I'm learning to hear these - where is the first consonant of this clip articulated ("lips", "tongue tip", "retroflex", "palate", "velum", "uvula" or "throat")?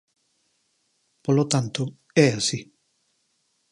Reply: lips